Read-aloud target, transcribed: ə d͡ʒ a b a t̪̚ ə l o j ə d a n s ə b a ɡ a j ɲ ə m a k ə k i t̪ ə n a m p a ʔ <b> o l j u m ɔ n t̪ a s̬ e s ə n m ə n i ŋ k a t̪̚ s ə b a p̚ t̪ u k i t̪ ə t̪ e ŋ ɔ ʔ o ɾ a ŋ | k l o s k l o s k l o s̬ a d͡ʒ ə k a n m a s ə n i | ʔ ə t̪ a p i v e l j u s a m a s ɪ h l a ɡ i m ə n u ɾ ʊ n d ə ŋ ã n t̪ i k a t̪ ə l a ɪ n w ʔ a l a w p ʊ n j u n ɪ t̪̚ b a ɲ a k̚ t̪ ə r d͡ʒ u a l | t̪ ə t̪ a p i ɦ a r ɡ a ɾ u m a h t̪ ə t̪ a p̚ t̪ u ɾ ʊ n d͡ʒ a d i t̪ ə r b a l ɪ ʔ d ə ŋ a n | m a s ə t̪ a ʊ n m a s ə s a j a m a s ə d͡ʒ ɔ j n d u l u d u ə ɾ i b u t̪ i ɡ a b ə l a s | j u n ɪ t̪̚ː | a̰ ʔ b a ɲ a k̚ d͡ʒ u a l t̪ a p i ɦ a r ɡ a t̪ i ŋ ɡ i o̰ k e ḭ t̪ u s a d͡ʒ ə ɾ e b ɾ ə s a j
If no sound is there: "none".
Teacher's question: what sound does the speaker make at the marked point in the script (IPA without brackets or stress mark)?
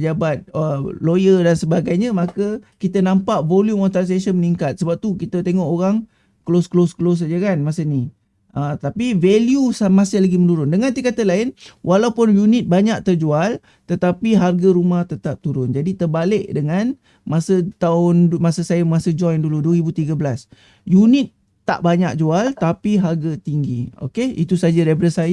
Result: v